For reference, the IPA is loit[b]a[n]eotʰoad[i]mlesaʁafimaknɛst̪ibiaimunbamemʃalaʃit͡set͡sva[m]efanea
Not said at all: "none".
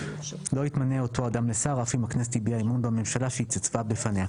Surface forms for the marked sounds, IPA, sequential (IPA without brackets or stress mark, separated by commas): m, n, a, b